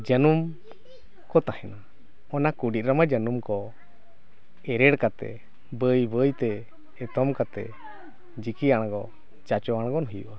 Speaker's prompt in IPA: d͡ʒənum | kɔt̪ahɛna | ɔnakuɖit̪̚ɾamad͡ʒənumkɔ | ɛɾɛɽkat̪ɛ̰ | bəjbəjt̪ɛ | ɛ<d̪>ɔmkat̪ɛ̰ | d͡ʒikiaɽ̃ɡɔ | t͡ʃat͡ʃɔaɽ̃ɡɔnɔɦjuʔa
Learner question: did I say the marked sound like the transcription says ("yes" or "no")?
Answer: no